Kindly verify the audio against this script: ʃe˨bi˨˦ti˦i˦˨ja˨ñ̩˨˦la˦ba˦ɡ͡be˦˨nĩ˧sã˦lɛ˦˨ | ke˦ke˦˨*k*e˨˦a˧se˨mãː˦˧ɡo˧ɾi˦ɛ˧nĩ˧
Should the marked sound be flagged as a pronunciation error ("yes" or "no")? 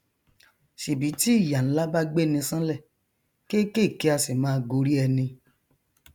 no